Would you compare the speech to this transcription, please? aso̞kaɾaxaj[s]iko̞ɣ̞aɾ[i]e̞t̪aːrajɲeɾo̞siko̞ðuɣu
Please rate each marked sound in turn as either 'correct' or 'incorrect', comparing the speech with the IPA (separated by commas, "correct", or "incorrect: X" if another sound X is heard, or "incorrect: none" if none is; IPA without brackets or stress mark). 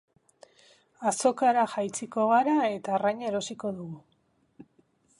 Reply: incorrect: t͡s, incorrect: a